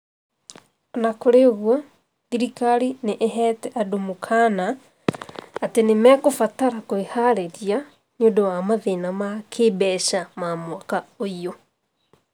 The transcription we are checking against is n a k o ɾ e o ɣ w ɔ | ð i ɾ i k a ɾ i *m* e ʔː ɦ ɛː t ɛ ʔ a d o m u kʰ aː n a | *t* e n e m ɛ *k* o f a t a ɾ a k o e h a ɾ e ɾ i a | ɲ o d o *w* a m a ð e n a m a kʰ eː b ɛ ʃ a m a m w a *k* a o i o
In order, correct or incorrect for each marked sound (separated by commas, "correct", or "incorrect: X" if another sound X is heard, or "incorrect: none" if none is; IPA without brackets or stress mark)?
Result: incorrect: n, correct, correct, correct, correct